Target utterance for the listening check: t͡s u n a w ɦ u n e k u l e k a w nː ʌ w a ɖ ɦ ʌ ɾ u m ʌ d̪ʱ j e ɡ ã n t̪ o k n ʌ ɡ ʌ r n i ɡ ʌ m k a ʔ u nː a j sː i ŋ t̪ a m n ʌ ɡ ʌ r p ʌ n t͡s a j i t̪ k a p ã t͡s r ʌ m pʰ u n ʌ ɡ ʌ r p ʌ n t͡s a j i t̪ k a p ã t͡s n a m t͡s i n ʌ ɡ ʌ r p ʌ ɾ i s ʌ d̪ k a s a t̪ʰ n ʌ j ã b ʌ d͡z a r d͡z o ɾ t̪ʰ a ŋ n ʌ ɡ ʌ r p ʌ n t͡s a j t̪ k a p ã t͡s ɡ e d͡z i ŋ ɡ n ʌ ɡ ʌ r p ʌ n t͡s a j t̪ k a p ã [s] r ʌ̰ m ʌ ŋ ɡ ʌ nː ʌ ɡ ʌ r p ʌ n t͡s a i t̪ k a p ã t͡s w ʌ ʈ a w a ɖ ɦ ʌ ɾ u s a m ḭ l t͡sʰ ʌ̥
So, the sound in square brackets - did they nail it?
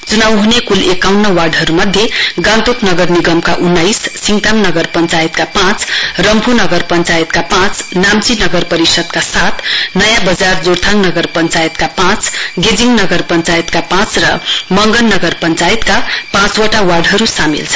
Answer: no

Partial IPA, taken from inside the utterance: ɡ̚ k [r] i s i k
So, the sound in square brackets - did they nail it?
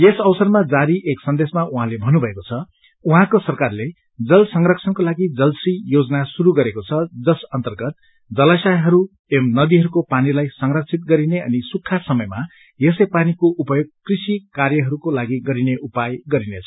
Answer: yes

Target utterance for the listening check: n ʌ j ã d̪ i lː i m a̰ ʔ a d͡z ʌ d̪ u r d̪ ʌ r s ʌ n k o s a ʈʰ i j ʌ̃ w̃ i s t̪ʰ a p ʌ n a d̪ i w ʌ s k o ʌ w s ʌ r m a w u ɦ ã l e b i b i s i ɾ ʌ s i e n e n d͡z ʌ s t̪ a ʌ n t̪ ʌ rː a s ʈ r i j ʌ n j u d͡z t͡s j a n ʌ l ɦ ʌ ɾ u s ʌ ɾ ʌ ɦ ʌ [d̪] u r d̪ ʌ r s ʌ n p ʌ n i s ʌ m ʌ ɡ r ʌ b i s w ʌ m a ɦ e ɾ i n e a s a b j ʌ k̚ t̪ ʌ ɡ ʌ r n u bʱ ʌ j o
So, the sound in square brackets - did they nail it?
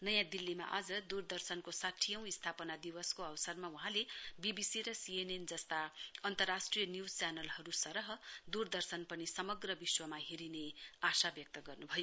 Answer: yes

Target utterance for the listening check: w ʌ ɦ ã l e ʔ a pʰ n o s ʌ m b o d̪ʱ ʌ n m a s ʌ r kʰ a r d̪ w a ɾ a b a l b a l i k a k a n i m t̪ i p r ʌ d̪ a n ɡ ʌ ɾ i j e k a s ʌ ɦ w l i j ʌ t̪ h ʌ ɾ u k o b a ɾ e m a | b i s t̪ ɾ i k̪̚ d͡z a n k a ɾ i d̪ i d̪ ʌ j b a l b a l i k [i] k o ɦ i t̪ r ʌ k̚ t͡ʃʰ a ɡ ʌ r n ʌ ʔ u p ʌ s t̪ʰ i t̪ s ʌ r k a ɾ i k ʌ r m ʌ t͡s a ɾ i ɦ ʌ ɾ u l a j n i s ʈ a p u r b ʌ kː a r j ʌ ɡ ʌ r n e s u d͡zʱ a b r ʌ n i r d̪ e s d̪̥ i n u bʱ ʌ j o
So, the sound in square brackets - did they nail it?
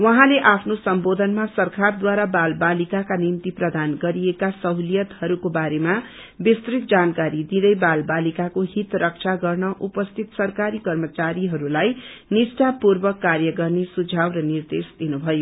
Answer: no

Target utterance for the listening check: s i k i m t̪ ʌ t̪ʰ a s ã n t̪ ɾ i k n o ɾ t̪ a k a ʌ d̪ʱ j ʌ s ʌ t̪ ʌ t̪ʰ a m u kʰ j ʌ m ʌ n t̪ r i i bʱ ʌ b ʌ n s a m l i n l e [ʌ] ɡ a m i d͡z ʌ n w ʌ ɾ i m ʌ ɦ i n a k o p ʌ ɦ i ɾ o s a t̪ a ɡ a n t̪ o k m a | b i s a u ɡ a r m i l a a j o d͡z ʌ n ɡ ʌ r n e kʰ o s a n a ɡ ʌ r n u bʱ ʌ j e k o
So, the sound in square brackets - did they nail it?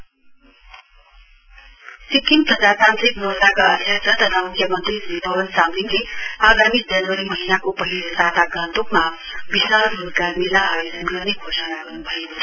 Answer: no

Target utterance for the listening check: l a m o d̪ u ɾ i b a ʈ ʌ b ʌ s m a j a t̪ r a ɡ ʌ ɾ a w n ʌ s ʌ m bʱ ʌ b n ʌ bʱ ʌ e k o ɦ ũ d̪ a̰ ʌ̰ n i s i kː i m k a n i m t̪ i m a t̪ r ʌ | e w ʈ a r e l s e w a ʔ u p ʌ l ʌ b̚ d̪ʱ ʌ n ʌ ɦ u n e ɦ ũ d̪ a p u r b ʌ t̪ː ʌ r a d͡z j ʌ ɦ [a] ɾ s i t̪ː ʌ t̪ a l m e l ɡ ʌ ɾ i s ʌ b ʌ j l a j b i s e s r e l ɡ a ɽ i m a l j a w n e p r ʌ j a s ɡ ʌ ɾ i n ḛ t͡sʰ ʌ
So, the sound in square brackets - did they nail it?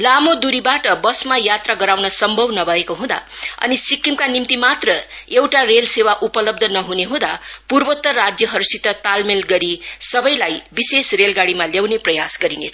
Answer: no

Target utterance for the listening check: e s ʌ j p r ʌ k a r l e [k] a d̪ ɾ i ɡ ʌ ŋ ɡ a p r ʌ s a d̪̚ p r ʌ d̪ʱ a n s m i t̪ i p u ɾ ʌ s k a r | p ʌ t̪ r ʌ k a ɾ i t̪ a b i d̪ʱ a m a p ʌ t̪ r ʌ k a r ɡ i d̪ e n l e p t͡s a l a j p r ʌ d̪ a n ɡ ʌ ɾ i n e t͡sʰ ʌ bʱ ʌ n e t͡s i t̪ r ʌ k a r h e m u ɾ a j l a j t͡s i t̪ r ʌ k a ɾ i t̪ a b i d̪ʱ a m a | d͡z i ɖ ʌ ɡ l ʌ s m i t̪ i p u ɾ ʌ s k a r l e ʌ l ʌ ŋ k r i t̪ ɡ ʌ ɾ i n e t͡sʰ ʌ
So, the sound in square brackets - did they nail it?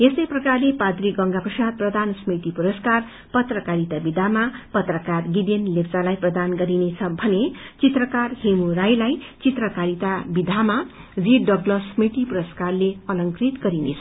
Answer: no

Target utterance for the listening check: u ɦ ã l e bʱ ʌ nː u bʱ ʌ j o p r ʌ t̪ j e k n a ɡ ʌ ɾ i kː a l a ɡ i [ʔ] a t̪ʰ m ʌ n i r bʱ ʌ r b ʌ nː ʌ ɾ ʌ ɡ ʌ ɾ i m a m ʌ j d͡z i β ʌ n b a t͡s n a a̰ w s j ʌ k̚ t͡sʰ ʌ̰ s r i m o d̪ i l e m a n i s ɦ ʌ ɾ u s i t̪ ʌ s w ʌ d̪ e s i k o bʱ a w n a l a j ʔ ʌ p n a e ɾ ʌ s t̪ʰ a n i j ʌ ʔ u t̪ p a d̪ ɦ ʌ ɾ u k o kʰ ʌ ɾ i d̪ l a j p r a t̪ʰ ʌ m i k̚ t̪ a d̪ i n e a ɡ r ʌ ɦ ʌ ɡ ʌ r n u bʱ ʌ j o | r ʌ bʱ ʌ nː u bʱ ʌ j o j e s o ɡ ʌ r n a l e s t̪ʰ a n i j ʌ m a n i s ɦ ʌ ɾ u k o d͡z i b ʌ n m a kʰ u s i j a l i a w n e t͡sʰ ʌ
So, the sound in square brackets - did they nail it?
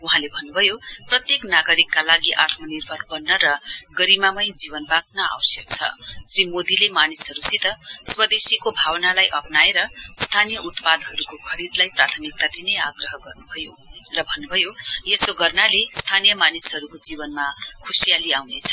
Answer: yes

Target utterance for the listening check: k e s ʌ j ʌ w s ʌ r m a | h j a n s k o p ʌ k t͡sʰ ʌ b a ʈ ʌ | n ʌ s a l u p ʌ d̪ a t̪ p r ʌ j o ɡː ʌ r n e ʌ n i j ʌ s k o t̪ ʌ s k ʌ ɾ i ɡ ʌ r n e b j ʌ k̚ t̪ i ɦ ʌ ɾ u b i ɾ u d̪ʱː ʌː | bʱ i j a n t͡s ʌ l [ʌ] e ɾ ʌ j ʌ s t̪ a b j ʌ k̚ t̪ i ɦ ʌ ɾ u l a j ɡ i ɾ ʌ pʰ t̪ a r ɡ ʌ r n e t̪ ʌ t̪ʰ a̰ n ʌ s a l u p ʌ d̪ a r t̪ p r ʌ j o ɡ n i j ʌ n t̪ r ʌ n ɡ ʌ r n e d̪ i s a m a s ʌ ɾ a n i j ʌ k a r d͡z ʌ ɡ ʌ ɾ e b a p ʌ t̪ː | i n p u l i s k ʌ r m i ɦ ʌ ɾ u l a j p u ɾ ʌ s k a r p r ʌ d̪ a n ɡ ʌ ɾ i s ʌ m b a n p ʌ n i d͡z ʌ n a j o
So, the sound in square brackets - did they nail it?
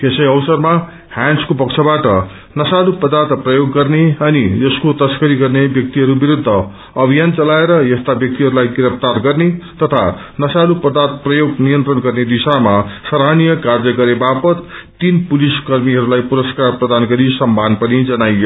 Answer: no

